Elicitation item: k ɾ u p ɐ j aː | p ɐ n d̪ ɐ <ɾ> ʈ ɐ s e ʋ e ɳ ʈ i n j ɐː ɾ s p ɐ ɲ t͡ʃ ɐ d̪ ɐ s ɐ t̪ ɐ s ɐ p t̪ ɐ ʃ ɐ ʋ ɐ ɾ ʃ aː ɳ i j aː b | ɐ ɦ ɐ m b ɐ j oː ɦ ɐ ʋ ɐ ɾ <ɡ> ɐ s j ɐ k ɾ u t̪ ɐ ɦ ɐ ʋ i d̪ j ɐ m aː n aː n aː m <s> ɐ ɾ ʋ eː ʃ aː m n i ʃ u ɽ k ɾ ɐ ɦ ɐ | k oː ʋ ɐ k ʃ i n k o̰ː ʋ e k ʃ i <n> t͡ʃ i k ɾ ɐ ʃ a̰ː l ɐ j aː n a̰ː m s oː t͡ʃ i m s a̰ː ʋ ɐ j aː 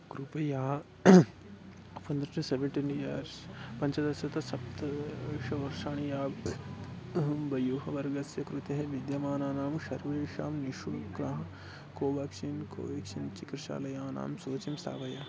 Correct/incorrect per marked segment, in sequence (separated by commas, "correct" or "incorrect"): correct, correct, incorrect, correct